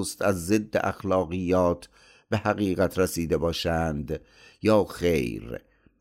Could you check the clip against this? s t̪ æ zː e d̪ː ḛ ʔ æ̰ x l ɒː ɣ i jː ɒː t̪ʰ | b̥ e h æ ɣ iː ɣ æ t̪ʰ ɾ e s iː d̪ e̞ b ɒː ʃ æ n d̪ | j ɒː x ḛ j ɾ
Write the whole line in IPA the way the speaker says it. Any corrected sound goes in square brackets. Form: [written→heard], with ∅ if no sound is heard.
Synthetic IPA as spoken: s t̪ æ zː e d̪ː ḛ ʔ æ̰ x l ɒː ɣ i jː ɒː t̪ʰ | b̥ e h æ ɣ iː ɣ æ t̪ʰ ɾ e s iː d̪ e̞ b ɒː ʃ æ n d̪ | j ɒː x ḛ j ɾ